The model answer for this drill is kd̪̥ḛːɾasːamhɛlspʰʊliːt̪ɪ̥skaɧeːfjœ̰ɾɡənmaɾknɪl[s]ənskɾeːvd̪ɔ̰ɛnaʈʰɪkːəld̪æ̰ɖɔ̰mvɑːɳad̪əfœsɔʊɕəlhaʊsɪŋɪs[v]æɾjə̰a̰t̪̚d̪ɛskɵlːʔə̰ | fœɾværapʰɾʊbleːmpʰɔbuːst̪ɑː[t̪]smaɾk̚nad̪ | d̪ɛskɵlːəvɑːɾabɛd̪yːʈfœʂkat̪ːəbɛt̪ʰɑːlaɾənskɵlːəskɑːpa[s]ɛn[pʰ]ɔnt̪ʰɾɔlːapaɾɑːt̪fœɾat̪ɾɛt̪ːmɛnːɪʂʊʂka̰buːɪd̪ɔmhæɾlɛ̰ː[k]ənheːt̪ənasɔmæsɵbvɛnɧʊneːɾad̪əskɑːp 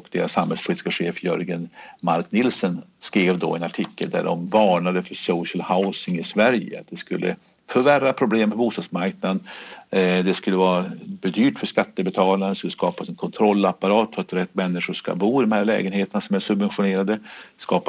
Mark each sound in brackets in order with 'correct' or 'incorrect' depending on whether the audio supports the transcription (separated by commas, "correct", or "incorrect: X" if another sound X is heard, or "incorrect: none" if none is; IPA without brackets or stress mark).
correct, correct, incorrect: d̪, correct, incorrect: kʰ, incorrect: ɡ